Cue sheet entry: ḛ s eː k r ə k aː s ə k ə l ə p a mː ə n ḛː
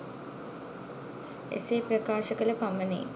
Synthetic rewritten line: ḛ s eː p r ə k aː ʃ ə k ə l ə p a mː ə n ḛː

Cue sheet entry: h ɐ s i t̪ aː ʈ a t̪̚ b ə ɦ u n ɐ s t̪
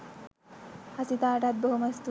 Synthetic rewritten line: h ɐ s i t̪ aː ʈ a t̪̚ b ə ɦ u m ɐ s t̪

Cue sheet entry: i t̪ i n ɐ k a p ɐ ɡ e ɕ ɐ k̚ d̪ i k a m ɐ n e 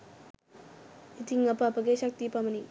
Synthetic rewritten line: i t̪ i ŋ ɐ p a p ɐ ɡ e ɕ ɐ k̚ t̪ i p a m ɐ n i

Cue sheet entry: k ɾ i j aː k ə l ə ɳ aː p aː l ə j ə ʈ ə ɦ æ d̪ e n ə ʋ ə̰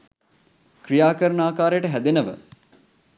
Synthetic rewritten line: k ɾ i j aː k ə ɾ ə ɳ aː k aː ɾ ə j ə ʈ ə ɦ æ d̪ e n ə ʋ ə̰

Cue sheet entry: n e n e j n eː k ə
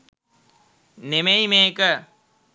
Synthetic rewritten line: n e m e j m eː k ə

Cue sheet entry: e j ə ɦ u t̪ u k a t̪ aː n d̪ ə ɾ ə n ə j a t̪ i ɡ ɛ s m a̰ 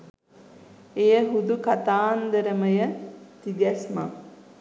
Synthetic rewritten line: e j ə ɦ u d̪ u k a t̪ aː n d̪ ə ɾ ə m ə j ə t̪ i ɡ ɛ s m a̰

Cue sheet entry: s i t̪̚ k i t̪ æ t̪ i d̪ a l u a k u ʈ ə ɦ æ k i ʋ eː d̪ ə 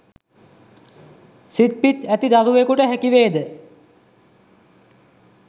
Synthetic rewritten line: s i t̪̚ p i t̪ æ t̪ i d̪ a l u e k u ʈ ə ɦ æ k i ʋ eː d̪ ə

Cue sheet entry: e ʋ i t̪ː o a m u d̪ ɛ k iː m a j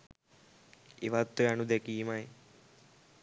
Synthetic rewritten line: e ʋ a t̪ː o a n u d̪ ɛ k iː m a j

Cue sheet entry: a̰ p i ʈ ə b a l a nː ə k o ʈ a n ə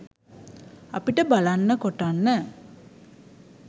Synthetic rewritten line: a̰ p i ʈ ə b a l a nː ə k o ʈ a nː ə

